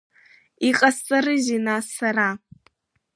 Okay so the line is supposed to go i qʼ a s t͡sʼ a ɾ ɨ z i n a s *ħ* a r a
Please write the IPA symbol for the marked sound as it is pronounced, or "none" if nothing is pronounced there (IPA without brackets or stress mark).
s